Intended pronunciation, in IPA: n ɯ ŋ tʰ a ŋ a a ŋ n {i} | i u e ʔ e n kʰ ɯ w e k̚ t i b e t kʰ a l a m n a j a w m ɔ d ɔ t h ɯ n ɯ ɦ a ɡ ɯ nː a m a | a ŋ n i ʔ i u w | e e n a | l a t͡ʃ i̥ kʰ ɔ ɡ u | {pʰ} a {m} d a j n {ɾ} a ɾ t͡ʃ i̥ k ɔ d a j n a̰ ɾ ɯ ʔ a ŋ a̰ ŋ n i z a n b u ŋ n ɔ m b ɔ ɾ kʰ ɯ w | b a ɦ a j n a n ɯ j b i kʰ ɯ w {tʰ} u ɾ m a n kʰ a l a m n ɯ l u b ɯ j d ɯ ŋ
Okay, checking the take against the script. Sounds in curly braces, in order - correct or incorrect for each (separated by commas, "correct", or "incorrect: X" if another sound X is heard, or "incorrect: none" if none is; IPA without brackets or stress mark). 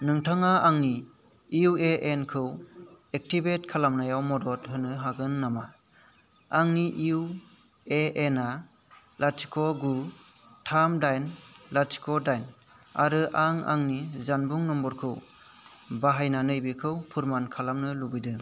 correct, incorrect: tʰ, correct, incorrect: l, incorrect: pʰ